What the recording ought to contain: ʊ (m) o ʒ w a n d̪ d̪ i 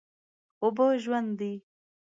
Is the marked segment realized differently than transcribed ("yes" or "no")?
yes